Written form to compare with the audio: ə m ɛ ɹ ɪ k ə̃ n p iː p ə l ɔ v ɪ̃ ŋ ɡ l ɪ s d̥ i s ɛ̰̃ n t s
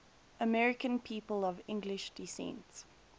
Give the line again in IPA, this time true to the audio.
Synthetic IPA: ə m ɛ ɹ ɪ k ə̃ n pʰ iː p ə l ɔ v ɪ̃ ŋ ɡ l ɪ ʃ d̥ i s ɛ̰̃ n t s

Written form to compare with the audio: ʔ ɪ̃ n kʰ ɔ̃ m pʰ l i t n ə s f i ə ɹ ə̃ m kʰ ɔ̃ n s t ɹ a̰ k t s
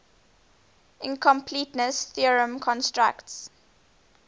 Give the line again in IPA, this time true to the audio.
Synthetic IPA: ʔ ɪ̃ n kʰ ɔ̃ m pʰ l i t n ə s θ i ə ɹ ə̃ m kʰ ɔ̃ n s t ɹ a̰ k t s

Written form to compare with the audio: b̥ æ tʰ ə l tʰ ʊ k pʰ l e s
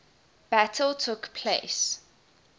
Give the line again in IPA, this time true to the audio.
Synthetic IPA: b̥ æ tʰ ə l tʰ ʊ k pʰ l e s

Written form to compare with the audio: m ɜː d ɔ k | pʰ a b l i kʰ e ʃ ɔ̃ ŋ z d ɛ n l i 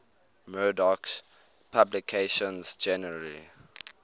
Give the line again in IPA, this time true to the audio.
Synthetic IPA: m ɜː d ɔ k | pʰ a b l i kʰ e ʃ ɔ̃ n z d͡ʒ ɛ n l i

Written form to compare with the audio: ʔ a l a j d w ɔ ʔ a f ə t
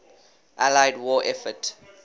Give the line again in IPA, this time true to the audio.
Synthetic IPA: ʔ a l a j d w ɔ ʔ ɛ f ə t

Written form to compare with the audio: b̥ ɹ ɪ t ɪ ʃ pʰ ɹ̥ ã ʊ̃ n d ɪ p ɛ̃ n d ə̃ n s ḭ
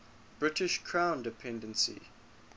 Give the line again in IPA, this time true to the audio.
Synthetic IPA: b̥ ɹ ɪ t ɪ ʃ kʰ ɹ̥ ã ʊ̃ n d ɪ pʰ ɛ̃ n d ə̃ n s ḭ

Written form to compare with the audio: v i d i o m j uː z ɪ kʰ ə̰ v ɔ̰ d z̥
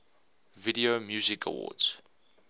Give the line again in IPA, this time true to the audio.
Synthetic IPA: v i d i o m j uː z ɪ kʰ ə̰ w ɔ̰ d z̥

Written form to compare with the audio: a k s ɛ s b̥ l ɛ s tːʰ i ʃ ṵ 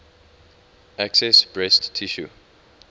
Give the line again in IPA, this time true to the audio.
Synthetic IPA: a k s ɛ s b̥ ɹ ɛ s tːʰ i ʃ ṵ

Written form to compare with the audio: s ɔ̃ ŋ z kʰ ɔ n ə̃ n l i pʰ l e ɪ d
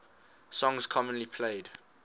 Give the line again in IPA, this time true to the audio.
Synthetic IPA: s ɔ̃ ŋ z kʰ ɔ m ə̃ n l i pʰ l e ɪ d

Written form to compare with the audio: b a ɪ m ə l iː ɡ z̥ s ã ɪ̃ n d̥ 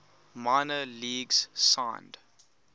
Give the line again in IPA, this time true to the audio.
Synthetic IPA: m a ɪ n ə l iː ɡ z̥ s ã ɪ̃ n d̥

